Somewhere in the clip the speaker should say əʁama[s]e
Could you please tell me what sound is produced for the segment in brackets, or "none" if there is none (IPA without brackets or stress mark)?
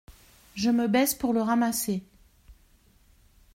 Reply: s